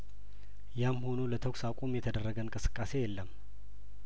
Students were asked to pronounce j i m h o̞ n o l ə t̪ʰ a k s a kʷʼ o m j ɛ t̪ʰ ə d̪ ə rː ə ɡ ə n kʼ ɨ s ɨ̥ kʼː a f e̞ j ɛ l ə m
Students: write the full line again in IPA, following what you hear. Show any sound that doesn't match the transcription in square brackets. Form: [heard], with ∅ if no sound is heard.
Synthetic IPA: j [a] m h o̞ n o l ə t̪ʰ [ə] k s a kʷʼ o m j ɛ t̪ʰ ə d̪ ə rː ə ɡ ə n kʼ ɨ s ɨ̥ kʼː a [s] e̞ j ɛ [lː] ə m